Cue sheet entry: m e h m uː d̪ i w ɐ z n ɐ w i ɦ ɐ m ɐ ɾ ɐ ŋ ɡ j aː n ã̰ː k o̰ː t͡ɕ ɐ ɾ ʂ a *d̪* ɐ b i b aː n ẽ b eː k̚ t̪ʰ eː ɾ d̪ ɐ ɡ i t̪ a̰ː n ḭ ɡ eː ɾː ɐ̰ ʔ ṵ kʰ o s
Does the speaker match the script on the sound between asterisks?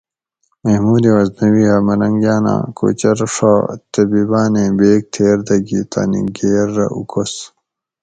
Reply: no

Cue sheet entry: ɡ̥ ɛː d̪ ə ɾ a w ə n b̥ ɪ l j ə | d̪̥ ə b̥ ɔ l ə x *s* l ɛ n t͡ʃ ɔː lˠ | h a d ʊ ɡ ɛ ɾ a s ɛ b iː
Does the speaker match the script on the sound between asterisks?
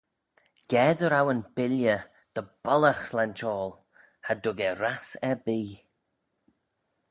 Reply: yes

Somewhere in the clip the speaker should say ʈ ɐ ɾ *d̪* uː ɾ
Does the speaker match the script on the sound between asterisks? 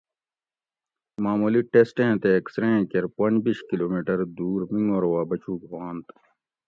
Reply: yes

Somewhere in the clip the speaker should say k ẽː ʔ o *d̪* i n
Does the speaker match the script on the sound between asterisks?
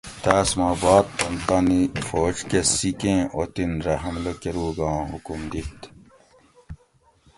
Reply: no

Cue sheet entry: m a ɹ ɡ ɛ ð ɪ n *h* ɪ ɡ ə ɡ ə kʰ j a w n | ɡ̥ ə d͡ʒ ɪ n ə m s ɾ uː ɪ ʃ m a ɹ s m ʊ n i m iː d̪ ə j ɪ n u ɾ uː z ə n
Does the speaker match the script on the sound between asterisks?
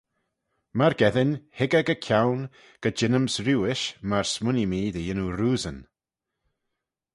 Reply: yes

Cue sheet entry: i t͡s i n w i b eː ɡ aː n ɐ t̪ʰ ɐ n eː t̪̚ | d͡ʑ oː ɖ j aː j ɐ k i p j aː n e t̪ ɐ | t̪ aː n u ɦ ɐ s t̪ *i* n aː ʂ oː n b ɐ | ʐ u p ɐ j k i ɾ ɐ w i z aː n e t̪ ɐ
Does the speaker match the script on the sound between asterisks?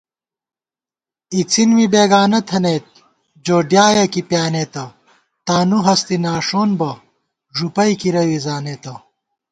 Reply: yes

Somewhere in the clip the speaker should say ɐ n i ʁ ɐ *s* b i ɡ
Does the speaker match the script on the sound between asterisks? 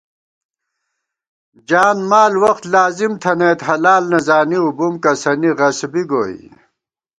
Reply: yes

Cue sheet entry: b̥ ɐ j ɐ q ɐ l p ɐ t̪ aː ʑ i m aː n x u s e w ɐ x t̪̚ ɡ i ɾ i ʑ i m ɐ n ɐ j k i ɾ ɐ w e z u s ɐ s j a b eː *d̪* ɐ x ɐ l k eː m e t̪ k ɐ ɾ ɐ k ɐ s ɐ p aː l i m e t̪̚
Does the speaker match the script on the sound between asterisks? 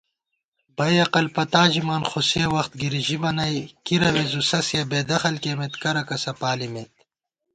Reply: yes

